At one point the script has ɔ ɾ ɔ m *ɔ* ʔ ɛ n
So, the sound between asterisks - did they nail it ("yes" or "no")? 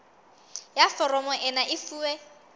yes